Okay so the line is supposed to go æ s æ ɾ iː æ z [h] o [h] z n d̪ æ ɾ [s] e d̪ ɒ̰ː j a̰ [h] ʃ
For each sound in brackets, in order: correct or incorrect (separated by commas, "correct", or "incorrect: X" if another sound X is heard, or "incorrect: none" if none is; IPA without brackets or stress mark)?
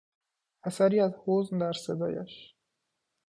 correct, incorrect: none, correct, incorrect: none